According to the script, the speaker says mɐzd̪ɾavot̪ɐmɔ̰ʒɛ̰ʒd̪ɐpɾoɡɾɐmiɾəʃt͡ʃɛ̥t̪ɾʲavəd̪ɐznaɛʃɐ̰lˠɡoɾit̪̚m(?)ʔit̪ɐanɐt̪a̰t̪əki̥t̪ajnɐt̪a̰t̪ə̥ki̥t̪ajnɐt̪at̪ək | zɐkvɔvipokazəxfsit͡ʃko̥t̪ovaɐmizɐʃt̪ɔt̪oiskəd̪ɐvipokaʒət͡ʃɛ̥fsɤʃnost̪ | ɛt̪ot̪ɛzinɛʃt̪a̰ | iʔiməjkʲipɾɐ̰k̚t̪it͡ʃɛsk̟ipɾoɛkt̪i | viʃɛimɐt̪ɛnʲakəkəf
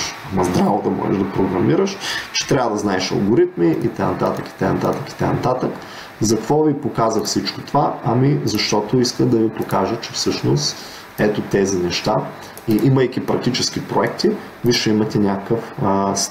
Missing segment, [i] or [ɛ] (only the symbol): i